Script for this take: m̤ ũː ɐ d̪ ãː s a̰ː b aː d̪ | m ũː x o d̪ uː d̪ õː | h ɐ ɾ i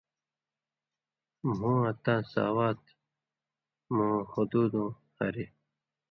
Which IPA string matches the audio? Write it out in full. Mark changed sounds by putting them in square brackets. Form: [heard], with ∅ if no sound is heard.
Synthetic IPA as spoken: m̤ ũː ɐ [t̪] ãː s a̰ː [w] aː [t̪] | m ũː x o d̪ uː d̪ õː | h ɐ ɾ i